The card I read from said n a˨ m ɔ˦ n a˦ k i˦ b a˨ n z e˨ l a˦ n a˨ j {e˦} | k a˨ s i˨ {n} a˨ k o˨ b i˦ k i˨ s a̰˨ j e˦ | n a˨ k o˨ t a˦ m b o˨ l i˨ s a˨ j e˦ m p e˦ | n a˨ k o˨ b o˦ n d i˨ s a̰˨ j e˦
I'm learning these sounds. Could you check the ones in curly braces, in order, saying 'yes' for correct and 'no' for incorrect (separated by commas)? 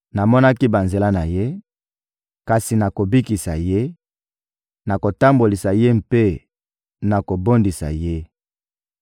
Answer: yes, yes